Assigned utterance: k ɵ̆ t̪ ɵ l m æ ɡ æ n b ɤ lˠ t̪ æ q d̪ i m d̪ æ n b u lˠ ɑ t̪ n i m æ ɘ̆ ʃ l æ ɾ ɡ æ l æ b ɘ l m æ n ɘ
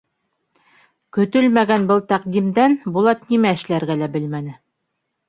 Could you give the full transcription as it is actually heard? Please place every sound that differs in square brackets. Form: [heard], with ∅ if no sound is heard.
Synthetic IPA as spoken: k ɵ̆ t̪ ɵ l m æ ɡ æ n b ɤ lˠ t̪ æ q d̪ i m d̪ æ n b u lˠ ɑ t̪ n i m æ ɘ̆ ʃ l æ ɾ ɡ æ l æ b ɘ l m æ n ɘ